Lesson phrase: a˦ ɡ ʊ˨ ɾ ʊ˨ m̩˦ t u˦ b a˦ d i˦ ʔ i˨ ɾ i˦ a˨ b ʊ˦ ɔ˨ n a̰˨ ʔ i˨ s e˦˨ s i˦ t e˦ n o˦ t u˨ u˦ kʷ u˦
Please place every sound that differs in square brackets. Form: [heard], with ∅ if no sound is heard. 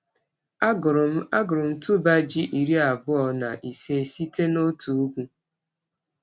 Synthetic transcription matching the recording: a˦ ɡ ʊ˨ ɾ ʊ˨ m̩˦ t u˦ b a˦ [d͡ʒ] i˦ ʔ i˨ ɾ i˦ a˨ b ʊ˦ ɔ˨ n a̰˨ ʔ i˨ s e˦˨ s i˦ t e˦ n o˦ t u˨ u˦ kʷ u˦